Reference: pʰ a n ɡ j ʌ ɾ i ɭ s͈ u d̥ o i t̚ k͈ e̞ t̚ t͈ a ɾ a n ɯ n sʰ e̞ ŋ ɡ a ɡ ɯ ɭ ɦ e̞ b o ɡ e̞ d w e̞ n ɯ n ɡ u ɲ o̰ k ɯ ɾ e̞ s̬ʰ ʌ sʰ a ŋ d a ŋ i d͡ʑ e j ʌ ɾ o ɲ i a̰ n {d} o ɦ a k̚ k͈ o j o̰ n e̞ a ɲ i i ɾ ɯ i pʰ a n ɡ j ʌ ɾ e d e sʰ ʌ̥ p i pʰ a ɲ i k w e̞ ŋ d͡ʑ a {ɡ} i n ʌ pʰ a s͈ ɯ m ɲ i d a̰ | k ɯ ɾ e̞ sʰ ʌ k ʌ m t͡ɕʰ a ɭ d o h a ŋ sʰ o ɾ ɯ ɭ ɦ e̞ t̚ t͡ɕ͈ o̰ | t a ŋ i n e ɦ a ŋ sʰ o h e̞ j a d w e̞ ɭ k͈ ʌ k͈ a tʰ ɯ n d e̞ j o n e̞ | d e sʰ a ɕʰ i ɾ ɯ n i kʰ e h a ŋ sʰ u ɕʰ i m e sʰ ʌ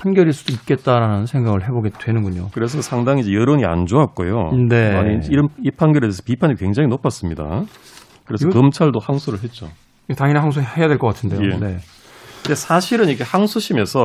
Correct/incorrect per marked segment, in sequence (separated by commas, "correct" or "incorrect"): incorrect, incorrect